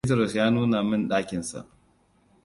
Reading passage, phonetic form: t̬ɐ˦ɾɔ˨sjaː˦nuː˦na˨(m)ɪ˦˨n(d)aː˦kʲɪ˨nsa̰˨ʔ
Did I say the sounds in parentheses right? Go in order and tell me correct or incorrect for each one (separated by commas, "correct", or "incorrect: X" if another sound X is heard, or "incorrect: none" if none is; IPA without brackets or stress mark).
correct, incorrect: ɗ